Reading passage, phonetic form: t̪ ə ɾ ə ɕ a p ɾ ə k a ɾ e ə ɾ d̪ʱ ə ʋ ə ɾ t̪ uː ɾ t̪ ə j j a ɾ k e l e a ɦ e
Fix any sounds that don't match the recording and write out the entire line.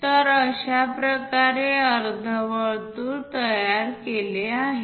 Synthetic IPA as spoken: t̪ ə ɾ ə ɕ a p ɾ ə k a ɾ e ə ɾ d̪ʱ ə ʋ ə ɭ t̪ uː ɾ t̪ ə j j a ɾ k e l e a ɦ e

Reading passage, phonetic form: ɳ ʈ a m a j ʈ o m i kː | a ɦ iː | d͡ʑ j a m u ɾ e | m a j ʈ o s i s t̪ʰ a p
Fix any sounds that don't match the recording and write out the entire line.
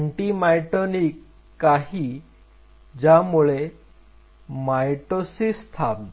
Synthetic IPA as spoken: ɳ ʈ i m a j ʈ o n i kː | a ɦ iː | d͡ʑ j a m u ɭ e | m a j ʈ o s i s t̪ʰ a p

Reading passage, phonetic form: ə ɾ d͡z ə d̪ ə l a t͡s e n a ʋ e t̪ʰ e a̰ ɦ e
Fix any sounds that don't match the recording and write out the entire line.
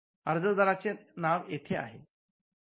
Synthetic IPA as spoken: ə ɾ d͡z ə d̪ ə ɾ a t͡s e n a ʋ e t̪ʰ e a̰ ɦ e

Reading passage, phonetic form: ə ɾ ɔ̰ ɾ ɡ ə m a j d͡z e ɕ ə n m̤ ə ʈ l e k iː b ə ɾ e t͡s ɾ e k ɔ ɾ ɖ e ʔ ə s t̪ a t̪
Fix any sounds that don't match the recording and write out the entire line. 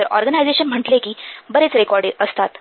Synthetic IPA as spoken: ə ɾ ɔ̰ ɾ ɡ ə n a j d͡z e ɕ ə n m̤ ə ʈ l e k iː b ə ɾ e t͡s ɾ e k ɔ ɾ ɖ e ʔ ə s t̪ a t̪

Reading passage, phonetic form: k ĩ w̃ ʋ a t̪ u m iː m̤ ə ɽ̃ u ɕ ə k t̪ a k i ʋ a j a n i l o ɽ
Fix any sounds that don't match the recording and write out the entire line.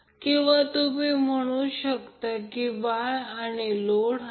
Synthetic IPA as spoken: k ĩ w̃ ʋ a t̪ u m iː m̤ ə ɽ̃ u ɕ ə k t̪ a k i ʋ a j a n i l o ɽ

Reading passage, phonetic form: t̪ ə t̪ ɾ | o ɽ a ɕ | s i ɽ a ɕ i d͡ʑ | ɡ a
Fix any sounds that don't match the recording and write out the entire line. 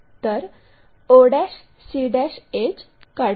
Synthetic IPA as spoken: t̪ ə ɾ | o ɽ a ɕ | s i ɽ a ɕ e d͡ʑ | k a

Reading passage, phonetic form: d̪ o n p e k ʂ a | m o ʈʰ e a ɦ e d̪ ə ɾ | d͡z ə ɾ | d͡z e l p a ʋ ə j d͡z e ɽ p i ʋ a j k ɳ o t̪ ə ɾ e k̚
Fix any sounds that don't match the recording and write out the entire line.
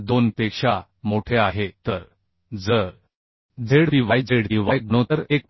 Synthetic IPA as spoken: d̪ o n p e k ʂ a | m o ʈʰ e a ɦ e t̪ ə ɾ | d͡z ə ɾ | d͡z e ɽ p i ʋ a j d͡z e ɽ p i ʋ a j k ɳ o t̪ ə ɾ e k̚

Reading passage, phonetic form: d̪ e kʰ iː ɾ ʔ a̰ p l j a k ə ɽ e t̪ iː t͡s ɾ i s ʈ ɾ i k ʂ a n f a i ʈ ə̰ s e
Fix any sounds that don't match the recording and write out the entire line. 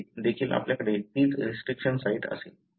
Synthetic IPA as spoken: d̪ e kʰ iː l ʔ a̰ p l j a k ə ɽ e t̪ iː t͡s ɾ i s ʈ ɾ i k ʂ ə n s a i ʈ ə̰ s e

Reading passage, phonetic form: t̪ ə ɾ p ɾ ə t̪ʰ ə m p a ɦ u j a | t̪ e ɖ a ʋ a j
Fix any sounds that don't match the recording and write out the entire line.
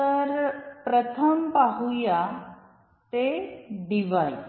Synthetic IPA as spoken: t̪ ə ɾ p ɾ ə t̪ʰ ə m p a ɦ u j a | t̪ e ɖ i ʋ a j

